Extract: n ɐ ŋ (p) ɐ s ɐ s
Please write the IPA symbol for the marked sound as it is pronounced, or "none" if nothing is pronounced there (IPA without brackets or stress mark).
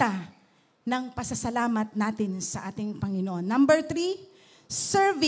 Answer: p